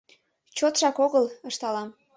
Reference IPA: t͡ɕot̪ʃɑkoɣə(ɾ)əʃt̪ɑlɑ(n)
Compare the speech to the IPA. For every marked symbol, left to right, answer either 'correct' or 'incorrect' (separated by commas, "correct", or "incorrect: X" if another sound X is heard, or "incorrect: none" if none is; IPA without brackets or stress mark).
incorrect: l, incorrect: m